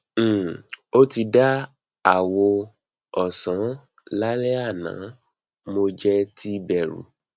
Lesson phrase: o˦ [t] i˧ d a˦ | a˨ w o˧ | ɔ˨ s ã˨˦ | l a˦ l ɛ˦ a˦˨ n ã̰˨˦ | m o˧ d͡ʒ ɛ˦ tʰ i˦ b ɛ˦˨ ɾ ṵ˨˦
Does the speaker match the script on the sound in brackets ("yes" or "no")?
yes